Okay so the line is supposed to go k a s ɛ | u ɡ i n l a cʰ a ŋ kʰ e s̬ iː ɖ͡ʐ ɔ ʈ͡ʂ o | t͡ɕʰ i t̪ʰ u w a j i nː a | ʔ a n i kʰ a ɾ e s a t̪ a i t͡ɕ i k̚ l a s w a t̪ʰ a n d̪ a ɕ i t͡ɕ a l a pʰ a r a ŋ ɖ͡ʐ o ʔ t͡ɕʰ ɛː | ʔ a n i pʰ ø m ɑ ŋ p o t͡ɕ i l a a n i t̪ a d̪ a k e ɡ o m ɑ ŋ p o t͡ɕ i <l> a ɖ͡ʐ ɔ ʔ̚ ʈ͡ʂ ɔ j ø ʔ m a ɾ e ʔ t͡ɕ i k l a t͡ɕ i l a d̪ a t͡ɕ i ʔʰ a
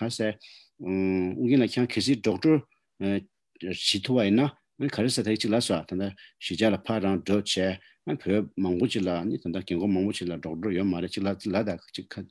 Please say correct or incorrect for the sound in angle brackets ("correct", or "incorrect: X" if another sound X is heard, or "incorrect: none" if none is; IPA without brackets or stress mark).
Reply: correct